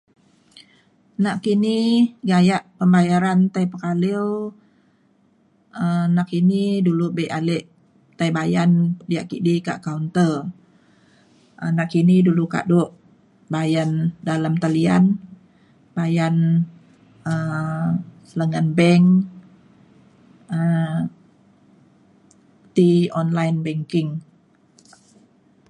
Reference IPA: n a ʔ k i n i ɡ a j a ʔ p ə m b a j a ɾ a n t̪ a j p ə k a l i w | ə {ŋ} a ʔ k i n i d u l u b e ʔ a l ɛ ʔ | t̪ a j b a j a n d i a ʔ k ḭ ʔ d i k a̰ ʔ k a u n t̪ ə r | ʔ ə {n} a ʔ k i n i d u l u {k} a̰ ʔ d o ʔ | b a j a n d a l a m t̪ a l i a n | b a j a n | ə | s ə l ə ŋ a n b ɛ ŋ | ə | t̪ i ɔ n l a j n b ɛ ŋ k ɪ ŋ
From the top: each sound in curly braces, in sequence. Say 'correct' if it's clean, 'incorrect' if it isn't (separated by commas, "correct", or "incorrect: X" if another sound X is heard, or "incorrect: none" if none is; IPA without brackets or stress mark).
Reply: incorrect: n, correct, correct